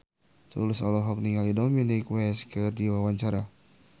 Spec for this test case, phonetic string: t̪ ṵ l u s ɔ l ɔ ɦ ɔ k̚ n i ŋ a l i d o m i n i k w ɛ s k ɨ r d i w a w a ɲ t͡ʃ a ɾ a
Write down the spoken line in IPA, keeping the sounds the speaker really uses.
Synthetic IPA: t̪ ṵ l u s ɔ l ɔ ɦ ɔ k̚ n i ŋ a l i d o m i n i k w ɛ s k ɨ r d i w a w a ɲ t͡ʃ a ɾ a